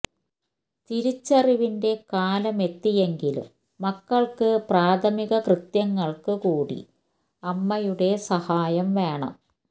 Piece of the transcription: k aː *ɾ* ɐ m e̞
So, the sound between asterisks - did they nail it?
no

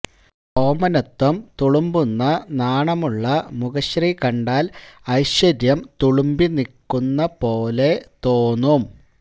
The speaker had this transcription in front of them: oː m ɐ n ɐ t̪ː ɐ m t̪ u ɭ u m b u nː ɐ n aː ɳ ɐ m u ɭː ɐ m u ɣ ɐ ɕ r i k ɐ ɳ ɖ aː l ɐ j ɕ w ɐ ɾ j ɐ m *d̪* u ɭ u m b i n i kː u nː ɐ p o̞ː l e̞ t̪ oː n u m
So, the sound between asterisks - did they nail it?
no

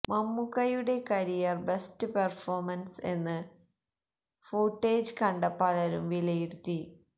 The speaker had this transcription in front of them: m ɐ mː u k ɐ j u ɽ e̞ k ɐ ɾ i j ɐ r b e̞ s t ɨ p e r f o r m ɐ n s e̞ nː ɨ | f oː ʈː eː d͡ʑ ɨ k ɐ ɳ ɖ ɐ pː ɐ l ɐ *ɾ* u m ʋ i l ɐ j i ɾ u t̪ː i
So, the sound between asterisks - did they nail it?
yes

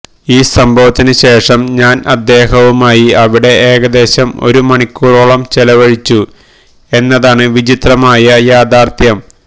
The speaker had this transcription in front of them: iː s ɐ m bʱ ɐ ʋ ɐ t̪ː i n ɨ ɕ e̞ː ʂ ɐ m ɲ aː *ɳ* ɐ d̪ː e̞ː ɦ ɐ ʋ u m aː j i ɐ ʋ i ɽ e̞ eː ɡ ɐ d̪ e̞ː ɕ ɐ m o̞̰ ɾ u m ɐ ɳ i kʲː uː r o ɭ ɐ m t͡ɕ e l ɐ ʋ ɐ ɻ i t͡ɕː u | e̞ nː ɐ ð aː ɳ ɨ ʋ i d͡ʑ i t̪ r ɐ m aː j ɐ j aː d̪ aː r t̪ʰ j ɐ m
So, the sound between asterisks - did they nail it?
no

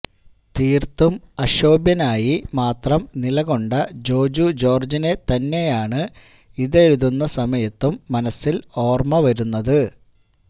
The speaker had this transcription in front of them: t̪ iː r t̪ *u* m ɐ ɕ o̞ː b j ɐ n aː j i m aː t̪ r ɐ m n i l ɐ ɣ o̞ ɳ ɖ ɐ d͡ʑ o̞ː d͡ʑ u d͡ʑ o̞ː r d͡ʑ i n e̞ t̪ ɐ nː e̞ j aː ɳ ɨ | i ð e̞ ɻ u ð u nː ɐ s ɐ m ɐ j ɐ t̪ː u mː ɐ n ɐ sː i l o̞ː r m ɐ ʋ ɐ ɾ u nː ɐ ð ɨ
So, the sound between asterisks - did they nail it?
yes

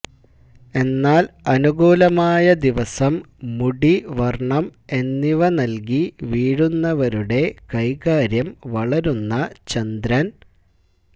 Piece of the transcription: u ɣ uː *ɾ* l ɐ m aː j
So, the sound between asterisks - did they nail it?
no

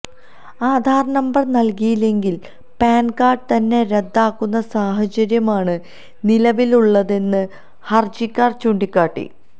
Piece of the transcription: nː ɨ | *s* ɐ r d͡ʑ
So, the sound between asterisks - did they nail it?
no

